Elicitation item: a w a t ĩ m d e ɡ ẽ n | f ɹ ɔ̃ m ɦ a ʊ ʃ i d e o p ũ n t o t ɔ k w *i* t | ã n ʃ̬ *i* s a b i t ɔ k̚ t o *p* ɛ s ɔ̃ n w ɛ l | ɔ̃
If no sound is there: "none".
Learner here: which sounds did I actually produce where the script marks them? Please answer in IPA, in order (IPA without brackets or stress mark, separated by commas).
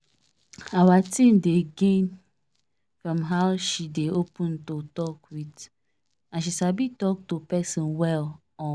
i, i, p